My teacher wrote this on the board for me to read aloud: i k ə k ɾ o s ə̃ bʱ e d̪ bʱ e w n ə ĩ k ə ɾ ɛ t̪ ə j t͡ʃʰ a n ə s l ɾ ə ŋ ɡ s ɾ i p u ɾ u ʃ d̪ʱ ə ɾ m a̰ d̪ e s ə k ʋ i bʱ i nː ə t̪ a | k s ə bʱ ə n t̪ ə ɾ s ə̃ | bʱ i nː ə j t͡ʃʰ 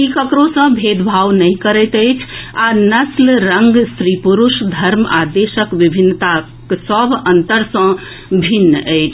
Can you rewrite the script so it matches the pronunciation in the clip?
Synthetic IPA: i k ə k ɾ o s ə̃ bʱ e d̪ bʱ a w n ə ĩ k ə ɾ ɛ t̪ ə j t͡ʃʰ a n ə s l ɾ ə ŋ ɡ s ɾ i p u ɾ u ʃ d̪ʱ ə ɾ m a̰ d̪ e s ə k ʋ i bʱ i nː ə t̪ a | k s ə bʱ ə n t̪ ə ɾ s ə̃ | bʱ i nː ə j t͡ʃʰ